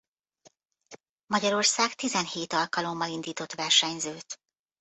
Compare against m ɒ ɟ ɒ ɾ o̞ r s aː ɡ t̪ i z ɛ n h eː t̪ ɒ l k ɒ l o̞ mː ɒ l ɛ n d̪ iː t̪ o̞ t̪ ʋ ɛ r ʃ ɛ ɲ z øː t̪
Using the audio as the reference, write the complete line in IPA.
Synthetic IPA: m ɒ ɟ ɒ ɾ o̞ r s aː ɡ t̪ i z ɛ n h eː t̪ ɒ l k ɒ l o̞ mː ɒ l i n d̪ iː t̪ o̞ t̪ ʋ ɛ r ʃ ɛ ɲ z øː t̪